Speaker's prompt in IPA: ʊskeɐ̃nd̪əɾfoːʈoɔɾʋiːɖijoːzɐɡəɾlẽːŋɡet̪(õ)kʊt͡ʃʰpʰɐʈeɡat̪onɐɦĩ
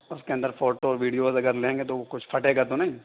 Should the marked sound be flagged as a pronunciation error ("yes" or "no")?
yes